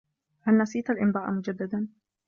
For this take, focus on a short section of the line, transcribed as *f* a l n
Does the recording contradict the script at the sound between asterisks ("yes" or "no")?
yes